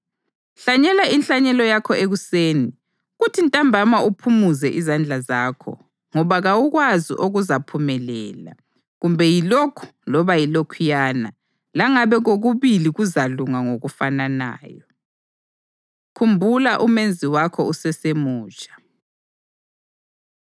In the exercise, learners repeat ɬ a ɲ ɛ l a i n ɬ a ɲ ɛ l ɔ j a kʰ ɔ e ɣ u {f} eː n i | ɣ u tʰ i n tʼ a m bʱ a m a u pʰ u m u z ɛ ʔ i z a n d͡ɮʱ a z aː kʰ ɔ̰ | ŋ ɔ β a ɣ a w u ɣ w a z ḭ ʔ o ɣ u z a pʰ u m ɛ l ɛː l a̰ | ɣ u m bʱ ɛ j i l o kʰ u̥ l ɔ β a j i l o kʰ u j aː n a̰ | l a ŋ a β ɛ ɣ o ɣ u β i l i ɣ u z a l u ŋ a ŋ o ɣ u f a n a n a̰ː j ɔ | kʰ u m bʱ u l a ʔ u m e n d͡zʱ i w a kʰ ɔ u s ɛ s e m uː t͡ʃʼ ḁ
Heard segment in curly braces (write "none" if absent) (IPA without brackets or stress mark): s